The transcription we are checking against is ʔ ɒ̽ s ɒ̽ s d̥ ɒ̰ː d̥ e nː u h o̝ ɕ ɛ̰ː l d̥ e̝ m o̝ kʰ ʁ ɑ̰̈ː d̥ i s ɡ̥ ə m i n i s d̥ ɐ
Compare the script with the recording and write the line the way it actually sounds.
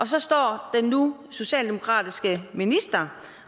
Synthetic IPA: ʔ ɒ̽ s ɒ̽ s d̥ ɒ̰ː d̥ e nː u s o̝ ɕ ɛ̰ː l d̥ e̝ m o̝ kʰ ʁ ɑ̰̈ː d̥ i s ɡ̥ ə m i n i s d̥ ɐ